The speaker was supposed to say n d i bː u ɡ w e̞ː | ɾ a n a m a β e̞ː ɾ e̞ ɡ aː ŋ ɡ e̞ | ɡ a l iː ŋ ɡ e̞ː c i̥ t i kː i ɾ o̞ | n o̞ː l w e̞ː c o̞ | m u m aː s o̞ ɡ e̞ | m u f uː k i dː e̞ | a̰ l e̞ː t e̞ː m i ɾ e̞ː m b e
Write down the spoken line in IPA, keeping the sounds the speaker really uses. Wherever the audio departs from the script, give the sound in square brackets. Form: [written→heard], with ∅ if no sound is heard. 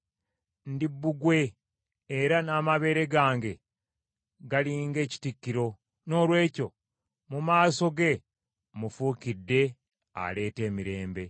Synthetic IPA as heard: n d i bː u ɡ w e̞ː | ɾ a n a m a β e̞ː ɾ e̞ ɡ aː ŋ ɡ e̞ | ɡ a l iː ŋ ɡ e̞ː c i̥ t i kː i ɾ o̞ | n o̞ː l w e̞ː c o̞ | m u m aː s o̞ ɡ e̞ | m u f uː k i dː e̞ | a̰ l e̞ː t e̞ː m i ɾ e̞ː m b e

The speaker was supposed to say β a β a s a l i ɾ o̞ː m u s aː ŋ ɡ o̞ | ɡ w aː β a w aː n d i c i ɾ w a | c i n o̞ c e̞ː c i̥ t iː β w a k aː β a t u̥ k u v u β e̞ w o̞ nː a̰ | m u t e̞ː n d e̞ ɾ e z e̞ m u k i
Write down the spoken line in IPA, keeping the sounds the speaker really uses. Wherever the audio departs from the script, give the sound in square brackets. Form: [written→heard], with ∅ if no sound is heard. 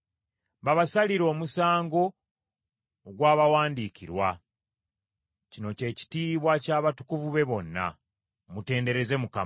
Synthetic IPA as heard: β a β a s a l i ɾ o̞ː m u s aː ŋ ɡ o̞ | ɡ w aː β a w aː n d i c i ɾ w a | c i n o̞ c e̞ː c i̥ t iː β w a [k→c] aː β a t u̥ k u v u β e̞ [w→β] o̞ nː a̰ | m u t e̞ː n d e̞ ɾ e z e̞ m u k [i→a]

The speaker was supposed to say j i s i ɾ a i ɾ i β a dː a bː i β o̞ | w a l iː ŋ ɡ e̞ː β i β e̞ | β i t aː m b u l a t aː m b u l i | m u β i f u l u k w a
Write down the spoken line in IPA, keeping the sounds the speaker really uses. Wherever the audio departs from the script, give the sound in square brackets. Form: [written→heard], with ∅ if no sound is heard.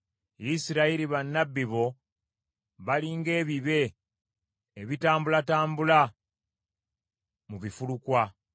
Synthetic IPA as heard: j i s i ɾ a i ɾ i β a [dː→nː] a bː i β o̞ | [w→β] a l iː ŋ ɡ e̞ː β i β e̞ | β i t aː m b u l a t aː m b u l [i→a] | m u β i f u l u k w a

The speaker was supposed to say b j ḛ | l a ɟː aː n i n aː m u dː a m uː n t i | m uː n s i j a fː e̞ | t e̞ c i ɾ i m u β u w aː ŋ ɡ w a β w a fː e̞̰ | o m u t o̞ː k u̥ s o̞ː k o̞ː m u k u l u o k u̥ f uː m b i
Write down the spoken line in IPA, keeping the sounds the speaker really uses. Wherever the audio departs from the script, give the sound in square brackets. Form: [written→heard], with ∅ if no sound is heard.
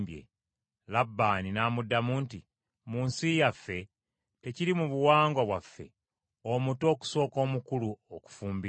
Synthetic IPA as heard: b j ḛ | l a [ɟː→bː] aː n i n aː m u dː a m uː n t i | m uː n s i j a fː e̞ | t e̞ c i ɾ i m u β u w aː ŋ ɡ w a β w a fː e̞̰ | o m u t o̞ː k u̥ s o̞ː k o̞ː m u k u l u o k u̥ f uː m b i

